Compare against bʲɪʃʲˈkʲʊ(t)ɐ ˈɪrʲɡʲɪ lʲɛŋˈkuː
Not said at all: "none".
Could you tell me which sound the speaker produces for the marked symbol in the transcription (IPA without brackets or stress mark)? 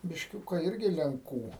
k